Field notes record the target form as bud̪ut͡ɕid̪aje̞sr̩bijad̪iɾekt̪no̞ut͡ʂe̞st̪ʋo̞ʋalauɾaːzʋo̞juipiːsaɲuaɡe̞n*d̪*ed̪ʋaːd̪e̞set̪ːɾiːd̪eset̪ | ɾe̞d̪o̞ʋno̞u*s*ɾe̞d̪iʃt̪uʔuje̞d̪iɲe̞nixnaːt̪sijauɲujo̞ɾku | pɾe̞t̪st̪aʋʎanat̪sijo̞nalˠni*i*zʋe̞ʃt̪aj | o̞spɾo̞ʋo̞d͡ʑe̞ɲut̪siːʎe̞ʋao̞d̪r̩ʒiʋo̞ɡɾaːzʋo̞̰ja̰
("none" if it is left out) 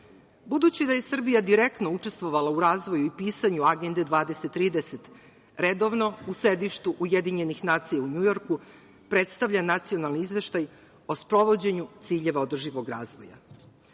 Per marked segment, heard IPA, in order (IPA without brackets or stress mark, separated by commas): d̪, s, i